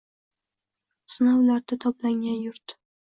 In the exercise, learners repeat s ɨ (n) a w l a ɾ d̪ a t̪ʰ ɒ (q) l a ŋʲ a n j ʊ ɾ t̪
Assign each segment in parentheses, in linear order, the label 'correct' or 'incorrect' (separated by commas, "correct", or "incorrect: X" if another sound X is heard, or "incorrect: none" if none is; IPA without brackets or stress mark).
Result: correct, incorrect: p